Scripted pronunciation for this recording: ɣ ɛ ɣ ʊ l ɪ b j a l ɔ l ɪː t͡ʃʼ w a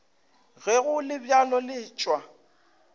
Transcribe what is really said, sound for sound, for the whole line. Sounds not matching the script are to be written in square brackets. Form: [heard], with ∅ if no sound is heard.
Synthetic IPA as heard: ɣ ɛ ɣ ʊ l ɪ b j a l ɔ l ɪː t͡ʃʼ w a